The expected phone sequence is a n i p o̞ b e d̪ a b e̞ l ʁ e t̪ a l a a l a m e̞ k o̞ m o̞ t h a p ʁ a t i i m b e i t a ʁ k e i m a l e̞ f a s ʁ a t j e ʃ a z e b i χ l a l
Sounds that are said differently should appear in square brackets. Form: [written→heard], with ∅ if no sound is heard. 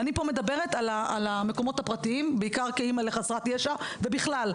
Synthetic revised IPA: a n i p o̞ [b→m] e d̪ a b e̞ [l→∅] ʁ e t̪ a l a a l a m e̞ k o̞ m o̞ t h a p ʁ a t i i m b e i [t→k] a ʁ k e i m a l e̞ [f→χ] a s ʁ a t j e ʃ a [z→v] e b i χ l a l

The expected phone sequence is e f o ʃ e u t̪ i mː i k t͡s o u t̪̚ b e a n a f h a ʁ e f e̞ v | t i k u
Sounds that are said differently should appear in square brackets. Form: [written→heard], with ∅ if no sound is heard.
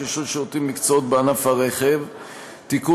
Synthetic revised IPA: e [f→ʃ] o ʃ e [u→o] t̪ i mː i k t͡s o [u→o] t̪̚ b e a n a f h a ʁ e [f→χ] e̞ v | t i k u

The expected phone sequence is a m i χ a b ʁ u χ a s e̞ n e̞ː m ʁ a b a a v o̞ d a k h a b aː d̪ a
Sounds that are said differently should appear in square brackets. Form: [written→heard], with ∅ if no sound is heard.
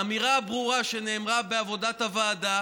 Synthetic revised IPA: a m i [χ→ʁ] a b ʁ u [χ→ʁ] a [s→ʃ] e̞ n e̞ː m ʁ a b [a→e] a v o̞ d a [k→t] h a [b→v] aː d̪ a

